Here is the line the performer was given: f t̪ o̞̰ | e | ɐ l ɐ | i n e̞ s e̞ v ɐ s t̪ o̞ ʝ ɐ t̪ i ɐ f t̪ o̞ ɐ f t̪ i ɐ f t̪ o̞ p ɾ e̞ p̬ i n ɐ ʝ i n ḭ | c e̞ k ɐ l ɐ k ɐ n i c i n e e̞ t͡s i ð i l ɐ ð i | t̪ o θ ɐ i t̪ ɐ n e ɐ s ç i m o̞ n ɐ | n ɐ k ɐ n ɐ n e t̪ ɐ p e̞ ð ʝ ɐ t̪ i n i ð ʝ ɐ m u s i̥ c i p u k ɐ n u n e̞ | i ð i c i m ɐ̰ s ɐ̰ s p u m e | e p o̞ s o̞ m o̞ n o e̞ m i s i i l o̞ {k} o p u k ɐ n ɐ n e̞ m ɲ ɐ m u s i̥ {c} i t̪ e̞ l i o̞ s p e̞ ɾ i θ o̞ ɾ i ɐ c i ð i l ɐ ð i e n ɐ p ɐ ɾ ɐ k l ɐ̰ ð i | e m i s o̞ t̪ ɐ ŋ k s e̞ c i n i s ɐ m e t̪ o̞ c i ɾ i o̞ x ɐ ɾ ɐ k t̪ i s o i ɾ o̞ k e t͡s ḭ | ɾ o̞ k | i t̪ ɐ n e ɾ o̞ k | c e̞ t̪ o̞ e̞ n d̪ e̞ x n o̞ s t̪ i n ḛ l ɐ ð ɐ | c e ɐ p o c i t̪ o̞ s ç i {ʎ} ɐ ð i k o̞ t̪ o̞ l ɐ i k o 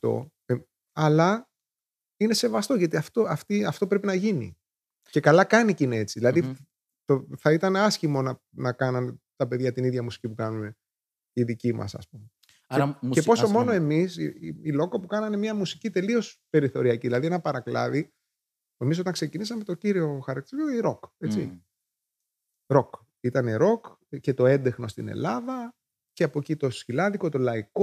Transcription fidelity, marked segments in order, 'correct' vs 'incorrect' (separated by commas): correct, correct, incorrect